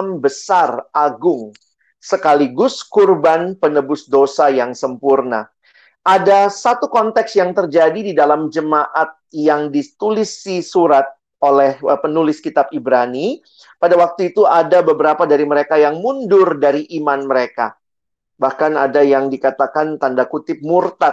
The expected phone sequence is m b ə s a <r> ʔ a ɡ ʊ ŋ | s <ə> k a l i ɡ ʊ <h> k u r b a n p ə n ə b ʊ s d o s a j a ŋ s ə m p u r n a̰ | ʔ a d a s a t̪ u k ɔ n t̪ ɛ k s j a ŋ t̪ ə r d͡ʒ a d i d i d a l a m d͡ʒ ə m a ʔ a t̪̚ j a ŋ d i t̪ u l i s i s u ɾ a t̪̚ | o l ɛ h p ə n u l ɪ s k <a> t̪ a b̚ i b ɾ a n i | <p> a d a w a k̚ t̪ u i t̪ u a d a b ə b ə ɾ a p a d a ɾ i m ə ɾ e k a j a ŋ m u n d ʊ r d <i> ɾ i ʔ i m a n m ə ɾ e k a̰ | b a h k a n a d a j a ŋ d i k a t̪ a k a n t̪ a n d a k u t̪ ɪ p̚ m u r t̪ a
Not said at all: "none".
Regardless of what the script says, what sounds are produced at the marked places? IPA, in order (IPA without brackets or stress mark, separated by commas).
r, ə, s, i, p, a